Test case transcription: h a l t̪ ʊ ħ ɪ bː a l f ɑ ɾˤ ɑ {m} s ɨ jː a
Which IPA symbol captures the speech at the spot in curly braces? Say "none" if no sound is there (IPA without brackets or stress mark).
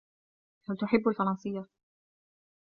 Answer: n